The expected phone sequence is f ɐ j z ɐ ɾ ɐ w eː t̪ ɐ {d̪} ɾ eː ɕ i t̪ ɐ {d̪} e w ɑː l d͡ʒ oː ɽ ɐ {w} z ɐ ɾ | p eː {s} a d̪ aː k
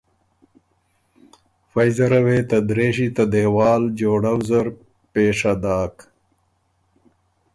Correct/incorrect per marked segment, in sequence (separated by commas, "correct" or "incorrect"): correct, correct, correct, incorrect